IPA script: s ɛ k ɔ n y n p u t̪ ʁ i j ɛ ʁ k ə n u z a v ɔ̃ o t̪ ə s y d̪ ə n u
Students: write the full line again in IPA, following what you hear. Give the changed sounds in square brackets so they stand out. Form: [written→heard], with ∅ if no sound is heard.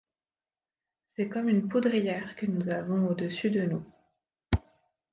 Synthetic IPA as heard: s ɛ k ɔ [n→m] y n p u [t̪→d̪] ʁ i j ɛ ʁ k ə n u z a v ɔ̃ o [t̪→d̪] ə s y d̪ ə n u